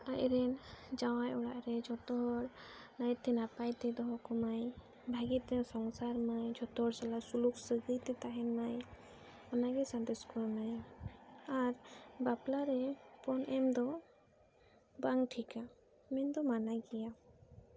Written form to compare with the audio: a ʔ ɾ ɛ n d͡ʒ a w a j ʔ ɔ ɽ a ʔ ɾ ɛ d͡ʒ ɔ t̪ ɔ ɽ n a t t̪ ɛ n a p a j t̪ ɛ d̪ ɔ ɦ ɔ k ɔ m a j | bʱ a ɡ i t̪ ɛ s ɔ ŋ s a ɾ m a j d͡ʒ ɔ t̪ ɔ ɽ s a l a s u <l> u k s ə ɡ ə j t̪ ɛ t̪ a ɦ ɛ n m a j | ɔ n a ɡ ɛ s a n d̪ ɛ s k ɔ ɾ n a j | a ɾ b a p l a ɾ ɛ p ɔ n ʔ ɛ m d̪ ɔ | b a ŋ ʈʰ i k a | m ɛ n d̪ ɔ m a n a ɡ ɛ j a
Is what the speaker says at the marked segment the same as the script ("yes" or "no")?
yes